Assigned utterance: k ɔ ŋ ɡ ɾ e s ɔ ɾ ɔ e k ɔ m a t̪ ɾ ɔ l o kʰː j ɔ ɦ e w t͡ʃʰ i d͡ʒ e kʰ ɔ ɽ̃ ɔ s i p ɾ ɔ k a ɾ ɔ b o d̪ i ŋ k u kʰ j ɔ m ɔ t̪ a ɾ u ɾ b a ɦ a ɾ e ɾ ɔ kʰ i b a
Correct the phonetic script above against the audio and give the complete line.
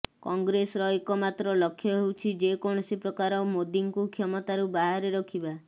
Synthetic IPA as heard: k ɔ ŋ ɡ ɾ e s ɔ ɾ ɔ e k ɔ m a t̪ ɾ ɔ l ɔ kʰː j ɔ ɦ e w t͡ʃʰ i d͡ʒ e k ɔ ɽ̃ ɔ s i p ɾ ɔ k a ɾ ɔ m o d̪ i ŋ k u kʰ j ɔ m ɔ t̪ a ɾ u b a ɦ a ɾ e ɾ ɔ kʰ i b a